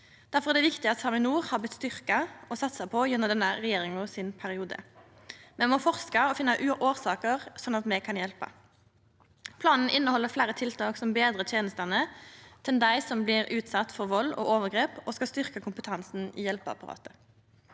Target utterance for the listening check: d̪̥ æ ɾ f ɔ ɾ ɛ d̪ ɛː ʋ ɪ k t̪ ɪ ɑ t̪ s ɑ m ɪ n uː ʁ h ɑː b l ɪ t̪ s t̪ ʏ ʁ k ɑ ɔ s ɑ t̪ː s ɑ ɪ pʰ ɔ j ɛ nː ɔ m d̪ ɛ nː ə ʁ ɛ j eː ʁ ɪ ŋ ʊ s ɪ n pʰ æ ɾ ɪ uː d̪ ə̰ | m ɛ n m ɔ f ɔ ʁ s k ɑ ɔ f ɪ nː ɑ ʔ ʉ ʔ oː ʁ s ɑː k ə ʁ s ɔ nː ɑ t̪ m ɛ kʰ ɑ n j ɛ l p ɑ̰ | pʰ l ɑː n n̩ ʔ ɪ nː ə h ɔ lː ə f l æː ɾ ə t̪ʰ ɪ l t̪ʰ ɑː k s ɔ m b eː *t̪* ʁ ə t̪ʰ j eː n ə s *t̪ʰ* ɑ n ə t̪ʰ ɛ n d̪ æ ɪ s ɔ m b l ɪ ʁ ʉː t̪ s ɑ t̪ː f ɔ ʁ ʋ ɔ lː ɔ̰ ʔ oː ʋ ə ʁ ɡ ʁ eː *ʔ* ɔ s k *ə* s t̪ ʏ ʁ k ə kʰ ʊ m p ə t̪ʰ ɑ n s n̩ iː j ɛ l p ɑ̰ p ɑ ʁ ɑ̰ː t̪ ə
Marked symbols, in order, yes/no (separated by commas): no, no, no, no